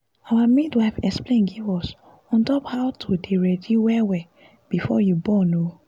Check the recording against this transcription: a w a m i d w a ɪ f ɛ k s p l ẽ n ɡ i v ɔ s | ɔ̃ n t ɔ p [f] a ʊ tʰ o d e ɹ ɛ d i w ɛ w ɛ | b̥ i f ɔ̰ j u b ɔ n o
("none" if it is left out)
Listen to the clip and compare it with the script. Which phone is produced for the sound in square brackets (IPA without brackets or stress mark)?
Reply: h